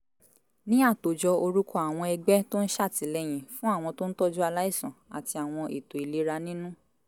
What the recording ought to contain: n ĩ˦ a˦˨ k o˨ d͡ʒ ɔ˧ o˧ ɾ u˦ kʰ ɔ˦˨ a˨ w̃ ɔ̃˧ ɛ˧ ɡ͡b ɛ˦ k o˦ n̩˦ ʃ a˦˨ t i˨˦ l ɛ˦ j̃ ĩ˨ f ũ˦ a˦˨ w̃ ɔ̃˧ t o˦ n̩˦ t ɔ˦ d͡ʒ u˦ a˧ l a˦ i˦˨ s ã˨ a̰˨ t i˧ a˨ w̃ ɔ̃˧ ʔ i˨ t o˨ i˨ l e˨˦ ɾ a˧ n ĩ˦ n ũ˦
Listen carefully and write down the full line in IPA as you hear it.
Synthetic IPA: n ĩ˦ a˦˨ t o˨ d͡ʒ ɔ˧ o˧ ɾ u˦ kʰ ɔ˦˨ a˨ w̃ ɔ̃˧ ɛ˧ ɡ͡b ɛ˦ t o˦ n̩˦ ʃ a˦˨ t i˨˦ l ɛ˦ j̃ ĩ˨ f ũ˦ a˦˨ w̃ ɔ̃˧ t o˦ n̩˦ t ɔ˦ d͡ʒ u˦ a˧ l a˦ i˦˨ s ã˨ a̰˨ t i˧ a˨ w̃ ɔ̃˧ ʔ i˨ t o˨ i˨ l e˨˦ ɾ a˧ n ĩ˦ n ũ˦